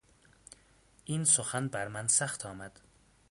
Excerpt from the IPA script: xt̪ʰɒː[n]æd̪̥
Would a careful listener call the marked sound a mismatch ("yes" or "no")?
yes